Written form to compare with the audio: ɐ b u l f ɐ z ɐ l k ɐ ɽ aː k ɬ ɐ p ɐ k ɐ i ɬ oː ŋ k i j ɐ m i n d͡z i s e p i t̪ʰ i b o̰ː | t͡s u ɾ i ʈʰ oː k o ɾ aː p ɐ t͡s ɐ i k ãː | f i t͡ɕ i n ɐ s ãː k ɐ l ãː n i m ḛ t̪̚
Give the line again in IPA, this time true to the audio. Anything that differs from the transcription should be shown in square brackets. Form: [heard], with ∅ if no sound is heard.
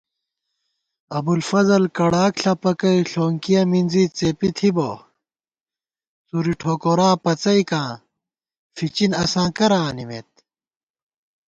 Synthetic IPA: ɐ b u l f ɐ z ɐ l k ɐ ɽ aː k ɬ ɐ p ɐ k ɐ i ɬ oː ŋ k i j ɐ m i n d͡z i [t͡s] e p i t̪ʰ i b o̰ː | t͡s u ɾ i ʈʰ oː k o ɾ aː p ɐ t͡s ɐ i k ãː | f i t͡ɕ i n ɐ s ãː k ɐ [ɾ] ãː n i m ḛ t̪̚

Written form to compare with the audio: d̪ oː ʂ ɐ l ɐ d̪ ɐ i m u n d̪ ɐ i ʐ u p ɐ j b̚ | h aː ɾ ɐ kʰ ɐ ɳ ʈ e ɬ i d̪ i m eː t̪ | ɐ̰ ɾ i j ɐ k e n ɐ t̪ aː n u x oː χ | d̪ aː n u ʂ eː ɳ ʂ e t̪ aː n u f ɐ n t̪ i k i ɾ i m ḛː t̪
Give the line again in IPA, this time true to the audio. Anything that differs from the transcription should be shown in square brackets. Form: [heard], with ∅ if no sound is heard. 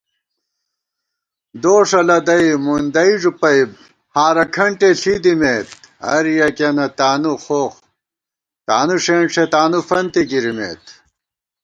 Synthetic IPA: d̪ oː ʂ ɐ l ɐ d̪ ɐ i m u n d̪ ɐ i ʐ u p ɐ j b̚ | h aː ɾ ɐ kʰ ɐ ɳ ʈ e ɬ i d̪ i m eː t̪ | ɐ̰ ɾ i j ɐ k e n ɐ t̪ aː n u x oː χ | [t̪] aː n u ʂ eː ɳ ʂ e t̪ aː n u f ɐ n t̪ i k i ɾ i m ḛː t̪

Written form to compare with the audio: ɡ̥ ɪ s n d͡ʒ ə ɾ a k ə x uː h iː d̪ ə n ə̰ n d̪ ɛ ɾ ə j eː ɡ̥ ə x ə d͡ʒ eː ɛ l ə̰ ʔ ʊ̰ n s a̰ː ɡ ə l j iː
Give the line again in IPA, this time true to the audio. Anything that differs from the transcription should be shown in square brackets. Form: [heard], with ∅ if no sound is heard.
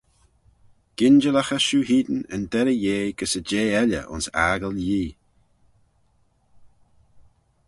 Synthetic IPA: ɡ̥ ɪ [∅] n d͡ʒ ə [l] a [x] ə [ʃ] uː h iː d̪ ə n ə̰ n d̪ ɛ ɾ ə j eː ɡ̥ ə [s] ə d͡ʒ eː ɛ l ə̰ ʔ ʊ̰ n s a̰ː ɡ ə l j iː

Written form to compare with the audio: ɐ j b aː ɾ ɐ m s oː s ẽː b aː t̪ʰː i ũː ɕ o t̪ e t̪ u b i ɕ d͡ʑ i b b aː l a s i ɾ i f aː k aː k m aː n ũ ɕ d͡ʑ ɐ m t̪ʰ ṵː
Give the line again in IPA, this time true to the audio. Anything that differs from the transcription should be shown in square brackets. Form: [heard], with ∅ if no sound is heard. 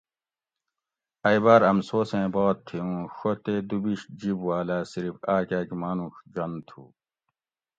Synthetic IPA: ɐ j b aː ɾ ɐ m s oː s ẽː b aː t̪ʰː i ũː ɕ o t̪ e [d̪] u b i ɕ d͡ʑ i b [w] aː l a s i ɾ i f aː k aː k m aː n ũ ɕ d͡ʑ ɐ [n] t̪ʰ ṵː

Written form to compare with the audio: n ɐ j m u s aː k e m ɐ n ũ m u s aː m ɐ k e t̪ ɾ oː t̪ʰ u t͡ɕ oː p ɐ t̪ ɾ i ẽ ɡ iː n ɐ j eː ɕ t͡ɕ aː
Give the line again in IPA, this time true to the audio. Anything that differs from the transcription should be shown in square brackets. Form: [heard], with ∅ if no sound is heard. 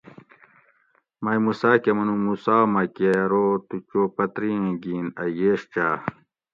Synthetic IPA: [m] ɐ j m u s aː k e m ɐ n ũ m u s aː m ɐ k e [∅] ɾ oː [t̪] u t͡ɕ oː p ɐ t̪ ɾ i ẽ ɡ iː n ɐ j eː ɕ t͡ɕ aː

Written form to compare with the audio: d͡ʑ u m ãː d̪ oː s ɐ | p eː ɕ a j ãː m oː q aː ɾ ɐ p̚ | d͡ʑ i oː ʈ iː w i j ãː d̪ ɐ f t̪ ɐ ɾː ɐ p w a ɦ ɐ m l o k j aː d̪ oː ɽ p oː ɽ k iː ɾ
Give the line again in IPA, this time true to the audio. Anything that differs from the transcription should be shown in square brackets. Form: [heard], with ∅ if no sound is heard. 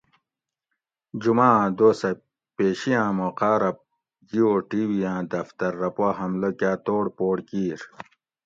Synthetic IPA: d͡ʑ u m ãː d̪ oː s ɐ | p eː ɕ [i] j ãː m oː q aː ɾ ɐ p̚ | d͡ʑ i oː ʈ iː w i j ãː d̪ ɐ f t̪ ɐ ɾː ɐ p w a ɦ ɐ m l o k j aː [t̪] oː ɽ p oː ɽ k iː ɾ

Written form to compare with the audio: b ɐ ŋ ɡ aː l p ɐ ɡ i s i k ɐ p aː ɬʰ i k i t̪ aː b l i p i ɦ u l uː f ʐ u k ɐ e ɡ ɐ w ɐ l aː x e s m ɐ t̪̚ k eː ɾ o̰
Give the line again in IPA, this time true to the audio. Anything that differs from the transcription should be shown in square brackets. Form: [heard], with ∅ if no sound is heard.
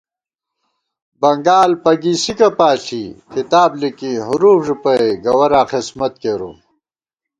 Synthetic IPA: b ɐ ŋ ɡ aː l p ɐ ɡ i s i k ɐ p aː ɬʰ i k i t̪ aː b l i [k] i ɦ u [ɾ] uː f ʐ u [p] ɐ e ɡ ɐ w ɐ [ɾ] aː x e s m ɐ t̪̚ k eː ɾ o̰

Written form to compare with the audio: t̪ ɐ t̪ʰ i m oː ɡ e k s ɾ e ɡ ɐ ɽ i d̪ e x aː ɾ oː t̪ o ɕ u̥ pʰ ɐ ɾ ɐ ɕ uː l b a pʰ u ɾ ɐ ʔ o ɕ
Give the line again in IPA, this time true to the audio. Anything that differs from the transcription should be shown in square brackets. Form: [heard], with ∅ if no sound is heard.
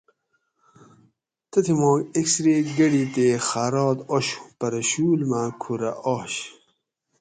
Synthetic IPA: t̪ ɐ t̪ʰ i m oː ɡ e k s ɾ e ɡ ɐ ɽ i [t̪] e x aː ɾ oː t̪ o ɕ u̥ [p] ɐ ɾ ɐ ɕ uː l [m] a [kʰ] u ɾ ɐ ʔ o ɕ

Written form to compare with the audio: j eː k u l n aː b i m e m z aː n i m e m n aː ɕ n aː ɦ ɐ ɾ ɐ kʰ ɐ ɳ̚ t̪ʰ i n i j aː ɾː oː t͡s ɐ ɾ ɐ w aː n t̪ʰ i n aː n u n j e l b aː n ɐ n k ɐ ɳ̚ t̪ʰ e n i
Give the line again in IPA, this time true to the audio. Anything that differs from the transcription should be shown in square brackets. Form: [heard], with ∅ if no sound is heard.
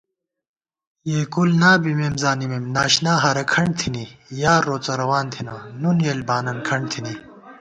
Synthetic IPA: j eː k u l n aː b i m e m z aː n i m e m n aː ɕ n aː ɦ ɐ ɾ ɐ kʰ ɐ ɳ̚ t̪ʰ i n i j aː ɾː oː t͡s ɐ ɾ ɐ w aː n t̪ʰ i n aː n u n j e l b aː n ɐ n [kʰ] ɐ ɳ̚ t̪ʰ [i] n i

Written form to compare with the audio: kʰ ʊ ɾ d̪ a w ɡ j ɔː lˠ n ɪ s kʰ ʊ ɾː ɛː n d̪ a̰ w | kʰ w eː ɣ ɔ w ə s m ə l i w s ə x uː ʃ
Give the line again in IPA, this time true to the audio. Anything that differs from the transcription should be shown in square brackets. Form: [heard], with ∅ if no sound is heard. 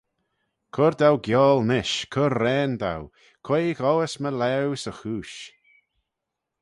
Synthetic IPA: kʰ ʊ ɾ d̪ a w ɡ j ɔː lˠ n ɪ [ʃ] kʰ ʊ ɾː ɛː n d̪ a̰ w | kʰ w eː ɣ ɔ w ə s m ə l [ɛ] w s ə x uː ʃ

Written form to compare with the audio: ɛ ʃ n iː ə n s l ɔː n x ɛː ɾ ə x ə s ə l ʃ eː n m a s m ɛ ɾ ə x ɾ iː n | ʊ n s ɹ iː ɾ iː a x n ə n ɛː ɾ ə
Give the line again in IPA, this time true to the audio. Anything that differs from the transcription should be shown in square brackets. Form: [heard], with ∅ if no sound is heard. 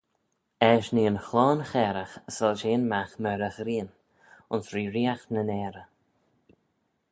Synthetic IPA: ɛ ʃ n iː ə n [x] l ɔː n x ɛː ɾ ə x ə s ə l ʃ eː n m a [x] m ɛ ɾ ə x ɾ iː n | ʊ n s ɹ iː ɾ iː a x n ə n ɛː ɾ ə

